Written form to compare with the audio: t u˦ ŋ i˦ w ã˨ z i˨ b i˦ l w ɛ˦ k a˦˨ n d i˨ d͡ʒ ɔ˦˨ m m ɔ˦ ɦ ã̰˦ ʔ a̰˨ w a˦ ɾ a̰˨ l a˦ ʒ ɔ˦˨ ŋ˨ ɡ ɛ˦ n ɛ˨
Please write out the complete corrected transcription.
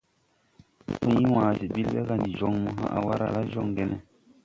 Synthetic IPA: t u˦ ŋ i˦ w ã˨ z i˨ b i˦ l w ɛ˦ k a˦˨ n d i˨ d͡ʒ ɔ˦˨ ŋ m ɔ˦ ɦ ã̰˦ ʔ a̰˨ w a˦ ɾ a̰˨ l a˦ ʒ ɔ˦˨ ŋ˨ ɡ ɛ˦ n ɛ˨